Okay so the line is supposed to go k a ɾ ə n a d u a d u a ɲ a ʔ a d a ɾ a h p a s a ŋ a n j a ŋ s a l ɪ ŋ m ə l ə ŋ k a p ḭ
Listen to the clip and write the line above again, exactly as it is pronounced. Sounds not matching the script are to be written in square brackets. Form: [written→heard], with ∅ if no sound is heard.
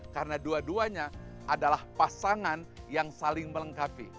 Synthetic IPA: k a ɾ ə n a d u a d u a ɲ a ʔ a d a [ɾ→l] a h p a s a ŋ a n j a ŋ s a l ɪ ŋ m ə l ə ŋ k a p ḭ